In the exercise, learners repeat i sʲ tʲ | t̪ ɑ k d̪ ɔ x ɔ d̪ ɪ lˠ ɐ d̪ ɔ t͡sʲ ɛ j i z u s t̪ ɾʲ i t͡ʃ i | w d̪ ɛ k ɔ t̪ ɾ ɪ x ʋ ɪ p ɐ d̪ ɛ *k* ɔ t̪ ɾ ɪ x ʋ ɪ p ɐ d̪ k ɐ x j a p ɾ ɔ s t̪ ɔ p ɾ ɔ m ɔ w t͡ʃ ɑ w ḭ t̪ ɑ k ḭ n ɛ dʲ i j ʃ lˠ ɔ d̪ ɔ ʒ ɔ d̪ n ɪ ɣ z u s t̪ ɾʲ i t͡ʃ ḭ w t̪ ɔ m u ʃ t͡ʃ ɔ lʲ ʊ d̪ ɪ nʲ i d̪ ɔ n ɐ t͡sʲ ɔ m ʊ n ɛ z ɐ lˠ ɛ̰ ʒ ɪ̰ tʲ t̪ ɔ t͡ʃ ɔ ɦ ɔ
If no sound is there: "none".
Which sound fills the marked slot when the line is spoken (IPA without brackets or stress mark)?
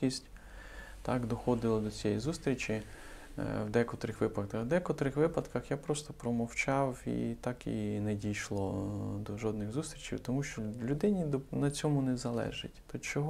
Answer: k